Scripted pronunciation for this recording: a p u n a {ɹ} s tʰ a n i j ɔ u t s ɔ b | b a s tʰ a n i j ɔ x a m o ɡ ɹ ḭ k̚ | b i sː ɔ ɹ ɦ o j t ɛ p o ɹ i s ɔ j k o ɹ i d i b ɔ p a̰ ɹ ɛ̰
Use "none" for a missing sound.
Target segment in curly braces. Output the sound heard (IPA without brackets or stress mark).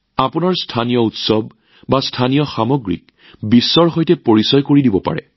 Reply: ɹ